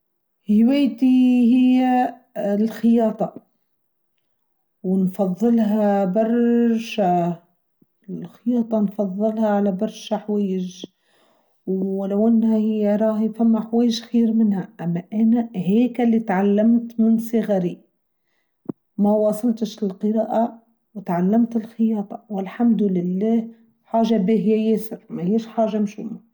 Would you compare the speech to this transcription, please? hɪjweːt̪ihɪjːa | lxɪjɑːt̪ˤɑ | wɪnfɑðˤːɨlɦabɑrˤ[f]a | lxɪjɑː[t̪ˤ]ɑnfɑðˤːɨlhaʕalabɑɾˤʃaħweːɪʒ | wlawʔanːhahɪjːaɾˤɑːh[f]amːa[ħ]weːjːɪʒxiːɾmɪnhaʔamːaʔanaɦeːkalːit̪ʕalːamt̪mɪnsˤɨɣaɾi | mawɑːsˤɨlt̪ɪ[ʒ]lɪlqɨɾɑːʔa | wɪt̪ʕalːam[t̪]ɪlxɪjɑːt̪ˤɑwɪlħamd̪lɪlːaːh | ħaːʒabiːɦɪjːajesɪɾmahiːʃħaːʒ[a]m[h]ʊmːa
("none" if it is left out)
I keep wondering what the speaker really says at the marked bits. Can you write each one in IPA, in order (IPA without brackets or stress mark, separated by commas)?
ʃ, t̪ˤ, f, ħ, ʃ, t̪, a, ʃ